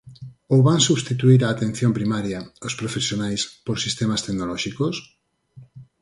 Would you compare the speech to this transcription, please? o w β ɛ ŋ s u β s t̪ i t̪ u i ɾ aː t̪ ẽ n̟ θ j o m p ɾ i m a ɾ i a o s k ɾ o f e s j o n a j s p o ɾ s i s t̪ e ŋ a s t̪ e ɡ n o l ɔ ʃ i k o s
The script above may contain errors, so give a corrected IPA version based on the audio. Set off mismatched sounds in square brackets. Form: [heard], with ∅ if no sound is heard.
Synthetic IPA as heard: o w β [a] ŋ s u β s t̪ i t̪ u i ɾ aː t̪ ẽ n̟ θ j o m p ɾ i m a ɾ [j] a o s [p] ɾ o f e s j o n a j s p o ɾ s i s t̪ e [m] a s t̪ e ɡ n o l ɔ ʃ i k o s